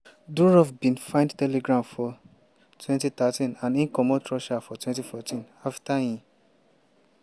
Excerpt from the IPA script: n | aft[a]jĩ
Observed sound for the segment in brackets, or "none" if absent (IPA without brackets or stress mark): a